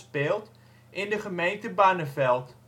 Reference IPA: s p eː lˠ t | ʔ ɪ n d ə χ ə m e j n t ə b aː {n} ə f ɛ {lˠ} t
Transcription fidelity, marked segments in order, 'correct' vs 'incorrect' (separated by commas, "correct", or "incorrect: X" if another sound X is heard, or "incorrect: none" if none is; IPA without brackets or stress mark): correct, correct